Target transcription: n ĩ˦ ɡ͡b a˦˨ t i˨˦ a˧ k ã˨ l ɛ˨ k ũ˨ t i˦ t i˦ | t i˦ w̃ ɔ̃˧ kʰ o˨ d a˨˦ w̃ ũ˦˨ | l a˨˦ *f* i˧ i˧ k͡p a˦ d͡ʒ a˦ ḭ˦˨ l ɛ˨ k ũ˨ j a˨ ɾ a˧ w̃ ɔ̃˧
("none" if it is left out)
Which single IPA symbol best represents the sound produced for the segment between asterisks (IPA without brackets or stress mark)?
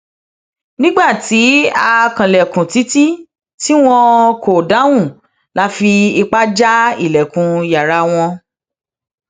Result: f